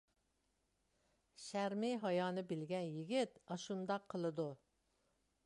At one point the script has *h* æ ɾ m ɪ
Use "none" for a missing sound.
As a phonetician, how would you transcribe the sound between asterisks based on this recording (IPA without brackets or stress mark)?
ʃ